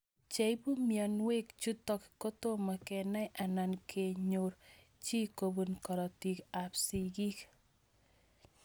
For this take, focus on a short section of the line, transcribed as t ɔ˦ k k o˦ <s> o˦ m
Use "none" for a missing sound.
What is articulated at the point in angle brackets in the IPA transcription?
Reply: t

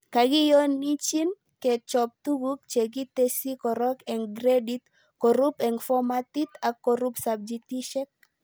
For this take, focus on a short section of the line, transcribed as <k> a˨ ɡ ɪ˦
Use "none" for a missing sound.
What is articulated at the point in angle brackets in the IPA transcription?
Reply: k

